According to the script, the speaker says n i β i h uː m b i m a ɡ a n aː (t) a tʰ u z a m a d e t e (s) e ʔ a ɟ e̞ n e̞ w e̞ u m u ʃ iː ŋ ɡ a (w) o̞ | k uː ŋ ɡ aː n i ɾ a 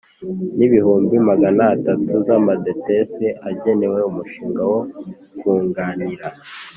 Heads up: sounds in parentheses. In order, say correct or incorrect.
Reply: correct, correct, correct

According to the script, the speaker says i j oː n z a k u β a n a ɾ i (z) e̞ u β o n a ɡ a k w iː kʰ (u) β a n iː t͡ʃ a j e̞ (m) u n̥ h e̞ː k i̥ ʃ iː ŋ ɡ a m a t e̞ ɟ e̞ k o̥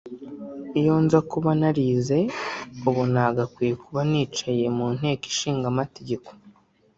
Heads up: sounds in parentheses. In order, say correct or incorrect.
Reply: correct, correct, correct

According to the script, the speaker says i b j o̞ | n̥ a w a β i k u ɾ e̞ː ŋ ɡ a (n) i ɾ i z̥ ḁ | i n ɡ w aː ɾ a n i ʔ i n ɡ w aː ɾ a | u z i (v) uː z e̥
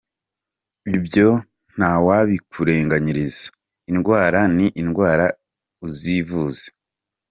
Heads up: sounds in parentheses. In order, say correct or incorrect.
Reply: incorrect: ɲ, correct

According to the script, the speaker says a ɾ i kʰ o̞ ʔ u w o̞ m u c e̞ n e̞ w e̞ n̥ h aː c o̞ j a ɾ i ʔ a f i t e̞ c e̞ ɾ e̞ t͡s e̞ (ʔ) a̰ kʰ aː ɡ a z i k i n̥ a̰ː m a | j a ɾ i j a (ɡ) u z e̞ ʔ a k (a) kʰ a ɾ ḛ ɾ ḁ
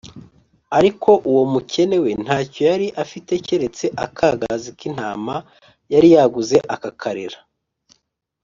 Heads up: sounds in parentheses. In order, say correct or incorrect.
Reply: correct, correct, correct

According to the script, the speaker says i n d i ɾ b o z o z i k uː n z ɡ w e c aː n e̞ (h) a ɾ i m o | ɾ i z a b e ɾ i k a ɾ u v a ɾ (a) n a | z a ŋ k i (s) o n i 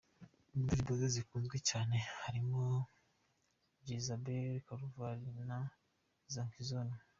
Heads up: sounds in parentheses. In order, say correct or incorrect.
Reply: correct, incorrect: i, incorrect: z

